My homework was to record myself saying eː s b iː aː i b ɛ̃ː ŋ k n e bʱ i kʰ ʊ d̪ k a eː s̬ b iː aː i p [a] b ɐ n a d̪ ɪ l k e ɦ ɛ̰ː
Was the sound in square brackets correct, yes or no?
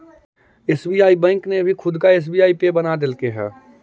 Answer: no